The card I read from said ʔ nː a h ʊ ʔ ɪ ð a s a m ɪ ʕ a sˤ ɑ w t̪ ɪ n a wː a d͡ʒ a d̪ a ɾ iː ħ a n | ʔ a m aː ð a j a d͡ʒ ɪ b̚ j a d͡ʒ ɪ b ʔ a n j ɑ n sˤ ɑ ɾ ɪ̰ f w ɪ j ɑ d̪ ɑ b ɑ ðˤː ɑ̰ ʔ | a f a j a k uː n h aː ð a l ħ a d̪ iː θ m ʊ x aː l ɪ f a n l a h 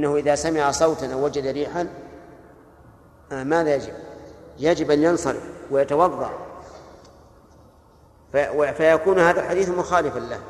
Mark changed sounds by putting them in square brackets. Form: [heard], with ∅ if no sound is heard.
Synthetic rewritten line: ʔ nː a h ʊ ʔ ɪ ð a s a m ɪ ʕ a sˤ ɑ w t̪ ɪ n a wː a d͡ʒ a d̪ a ɾ iː ħ a n | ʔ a m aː ð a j a d͡ʒ ɪ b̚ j a d͡ʒ ɪ b ʔ a n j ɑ n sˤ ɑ ɾ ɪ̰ f w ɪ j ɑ [t̪] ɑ [w] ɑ ðˤː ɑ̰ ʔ | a f a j a k uː n h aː ð a l ħ a d̪ iː θ m ʊ x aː l ɪ f a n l a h